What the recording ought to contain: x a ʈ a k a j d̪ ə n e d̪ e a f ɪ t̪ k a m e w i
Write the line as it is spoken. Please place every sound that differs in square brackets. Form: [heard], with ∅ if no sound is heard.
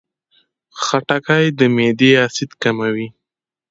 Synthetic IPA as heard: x a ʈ a k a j d̪ ə [m] e d̪ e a [s] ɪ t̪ k a m [a] w i

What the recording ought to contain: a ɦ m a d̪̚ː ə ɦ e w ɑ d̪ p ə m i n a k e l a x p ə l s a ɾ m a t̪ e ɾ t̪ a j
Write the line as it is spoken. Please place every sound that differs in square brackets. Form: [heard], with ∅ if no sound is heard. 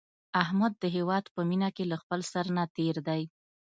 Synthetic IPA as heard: a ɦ m a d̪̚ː ə ɦ e w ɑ d̪ p ə m i n a k e l a x p ə l s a ɾ [n] a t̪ e ɾ [d̪] a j

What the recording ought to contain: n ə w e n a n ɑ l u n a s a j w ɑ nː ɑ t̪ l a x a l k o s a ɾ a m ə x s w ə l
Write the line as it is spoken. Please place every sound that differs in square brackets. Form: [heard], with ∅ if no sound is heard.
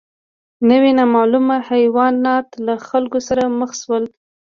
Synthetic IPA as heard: n ə w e n a [m] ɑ l u [m] a [h] a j w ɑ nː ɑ t̪ l a x a l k o s a ɾ a m ə x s w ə l

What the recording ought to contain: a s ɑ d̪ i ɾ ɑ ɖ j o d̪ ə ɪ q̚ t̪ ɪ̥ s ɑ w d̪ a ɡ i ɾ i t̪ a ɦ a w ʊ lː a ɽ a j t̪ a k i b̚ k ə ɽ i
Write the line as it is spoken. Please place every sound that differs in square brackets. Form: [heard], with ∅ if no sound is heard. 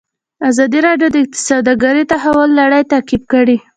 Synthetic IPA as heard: a [z] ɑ d̪ i ɾ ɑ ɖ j o d̪ ə ɪ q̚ t̪ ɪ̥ s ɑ w d̪ a ɡ [a] ɾ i t̪ a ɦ a w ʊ lː a ɽ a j t̪ a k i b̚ k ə ɽ i

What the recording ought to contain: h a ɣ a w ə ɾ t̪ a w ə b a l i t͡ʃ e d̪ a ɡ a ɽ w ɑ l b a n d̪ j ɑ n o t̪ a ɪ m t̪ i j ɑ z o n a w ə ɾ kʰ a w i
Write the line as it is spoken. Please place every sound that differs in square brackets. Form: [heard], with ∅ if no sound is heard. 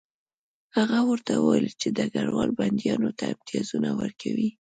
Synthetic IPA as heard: h a ɣ a w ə ɾ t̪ a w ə [w] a l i t͡ʃ e d̪ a ɡ a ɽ w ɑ l b a n d̪ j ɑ n o t̪ a ɪ m t̪ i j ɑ z [u] n a w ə ɾ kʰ a w i

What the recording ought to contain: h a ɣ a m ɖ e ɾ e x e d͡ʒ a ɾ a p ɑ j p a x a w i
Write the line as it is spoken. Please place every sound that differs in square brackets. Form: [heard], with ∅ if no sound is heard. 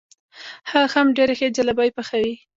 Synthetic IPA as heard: h a [x] a m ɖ e ɾ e x e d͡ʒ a [l] a [b] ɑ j p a x a w i

